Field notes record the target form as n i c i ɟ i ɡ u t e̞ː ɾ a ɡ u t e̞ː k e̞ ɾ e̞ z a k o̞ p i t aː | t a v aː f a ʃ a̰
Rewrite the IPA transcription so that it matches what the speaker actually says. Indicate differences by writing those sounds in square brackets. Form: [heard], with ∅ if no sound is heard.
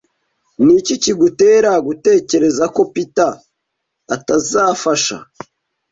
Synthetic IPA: n i c i [c] i ɡ u t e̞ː ɾ a ɡ u t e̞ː [c] e̞ ɾ e̞ z a k o̞ p i t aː | t a [z] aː f a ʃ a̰